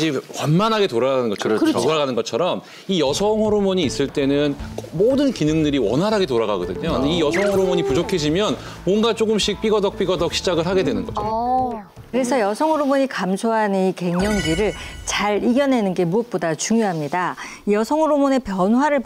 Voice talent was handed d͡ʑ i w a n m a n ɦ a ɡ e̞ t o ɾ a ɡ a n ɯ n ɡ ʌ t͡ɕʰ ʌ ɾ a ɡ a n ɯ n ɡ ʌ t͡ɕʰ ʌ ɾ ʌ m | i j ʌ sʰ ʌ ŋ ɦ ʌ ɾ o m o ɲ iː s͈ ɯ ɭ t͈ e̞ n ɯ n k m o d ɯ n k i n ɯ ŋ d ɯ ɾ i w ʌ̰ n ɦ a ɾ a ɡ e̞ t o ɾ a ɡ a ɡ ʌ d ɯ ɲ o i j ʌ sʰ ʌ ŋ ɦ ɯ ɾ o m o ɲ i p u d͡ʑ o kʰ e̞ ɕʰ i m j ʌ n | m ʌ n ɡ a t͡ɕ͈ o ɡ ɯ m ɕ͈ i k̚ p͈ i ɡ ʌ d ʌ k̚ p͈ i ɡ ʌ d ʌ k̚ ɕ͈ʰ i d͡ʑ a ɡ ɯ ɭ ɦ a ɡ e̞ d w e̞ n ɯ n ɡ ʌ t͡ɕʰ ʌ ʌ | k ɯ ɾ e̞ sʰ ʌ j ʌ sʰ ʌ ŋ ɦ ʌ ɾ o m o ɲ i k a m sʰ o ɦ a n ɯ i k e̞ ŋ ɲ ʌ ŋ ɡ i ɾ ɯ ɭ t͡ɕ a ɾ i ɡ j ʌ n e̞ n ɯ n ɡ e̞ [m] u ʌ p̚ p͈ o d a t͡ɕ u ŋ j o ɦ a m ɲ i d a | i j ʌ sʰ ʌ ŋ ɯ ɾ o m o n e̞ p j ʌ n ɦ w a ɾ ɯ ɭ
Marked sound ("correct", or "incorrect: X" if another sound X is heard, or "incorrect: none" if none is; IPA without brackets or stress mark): correct